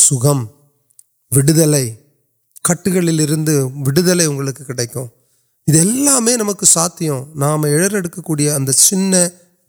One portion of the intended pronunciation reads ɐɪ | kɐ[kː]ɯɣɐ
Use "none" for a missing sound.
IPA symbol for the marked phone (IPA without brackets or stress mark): ʈː